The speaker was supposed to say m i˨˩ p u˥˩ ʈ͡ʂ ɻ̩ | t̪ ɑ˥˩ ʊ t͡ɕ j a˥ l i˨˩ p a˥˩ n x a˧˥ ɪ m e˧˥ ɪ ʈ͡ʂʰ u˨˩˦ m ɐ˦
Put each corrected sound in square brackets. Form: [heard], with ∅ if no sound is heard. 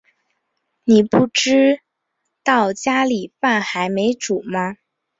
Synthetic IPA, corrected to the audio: [n] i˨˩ p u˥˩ ʈ͡ʂ ɻ̩ | t̪ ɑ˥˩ ʊ t͡ɕ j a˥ l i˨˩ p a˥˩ n x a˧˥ ɪ m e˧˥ ɪ [ʈ͡ʂ] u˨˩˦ m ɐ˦